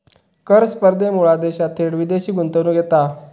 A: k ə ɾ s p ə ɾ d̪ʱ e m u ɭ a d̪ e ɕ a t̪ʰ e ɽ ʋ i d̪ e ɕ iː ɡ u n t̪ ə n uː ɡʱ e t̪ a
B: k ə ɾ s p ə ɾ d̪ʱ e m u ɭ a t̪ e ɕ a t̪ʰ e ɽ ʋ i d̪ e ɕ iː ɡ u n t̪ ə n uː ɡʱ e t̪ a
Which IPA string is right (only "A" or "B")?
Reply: A